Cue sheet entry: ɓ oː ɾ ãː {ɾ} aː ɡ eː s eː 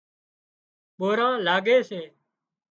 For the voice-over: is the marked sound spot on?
no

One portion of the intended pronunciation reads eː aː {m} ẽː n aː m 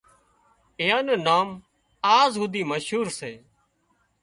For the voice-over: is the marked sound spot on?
no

